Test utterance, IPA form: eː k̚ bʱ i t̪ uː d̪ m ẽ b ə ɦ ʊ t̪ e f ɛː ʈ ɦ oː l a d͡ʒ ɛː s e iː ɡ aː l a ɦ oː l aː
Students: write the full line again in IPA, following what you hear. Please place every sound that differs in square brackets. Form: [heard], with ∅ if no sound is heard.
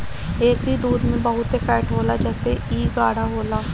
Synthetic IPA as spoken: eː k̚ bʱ i [d̪] uː d̪ m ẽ b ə ɦ ʊ t̪ e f ɛː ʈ ɦ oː l a d͡ʒ ɛː s e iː ɡ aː [ɽ] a ɦ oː l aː